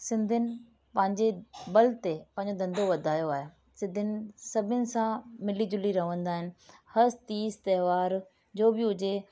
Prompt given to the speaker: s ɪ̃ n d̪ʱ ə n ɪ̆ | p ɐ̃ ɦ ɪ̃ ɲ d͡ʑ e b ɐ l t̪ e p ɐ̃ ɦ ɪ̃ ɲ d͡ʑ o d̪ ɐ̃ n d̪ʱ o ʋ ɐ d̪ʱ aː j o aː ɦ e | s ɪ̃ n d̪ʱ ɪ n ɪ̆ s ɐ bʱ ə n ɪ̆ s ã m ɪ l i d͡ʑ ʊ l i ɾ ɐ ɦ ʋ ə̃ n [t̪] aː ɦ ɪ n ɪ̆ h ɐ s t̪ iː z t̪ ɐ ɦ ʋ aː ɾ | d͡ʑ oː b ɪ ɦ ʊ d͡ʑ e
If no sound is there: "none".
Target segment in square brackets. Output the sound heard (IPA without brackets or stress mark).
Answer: d̪